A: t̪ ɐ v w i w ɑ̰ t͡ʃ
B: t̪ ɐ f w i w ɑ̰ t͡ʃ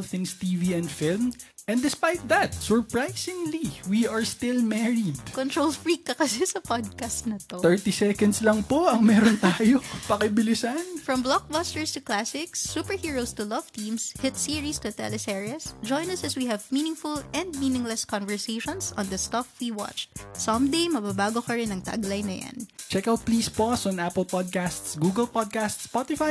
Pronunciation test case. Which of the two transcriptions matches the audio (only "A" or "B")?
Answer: B